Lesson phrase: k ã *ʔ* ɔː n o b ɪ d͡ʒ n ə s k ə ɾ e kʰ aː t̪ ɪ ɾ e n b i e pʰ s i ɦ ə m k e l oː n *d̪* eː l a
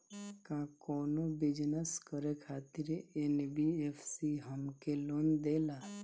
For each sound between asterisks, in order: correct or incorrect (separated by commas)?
incorrect, correct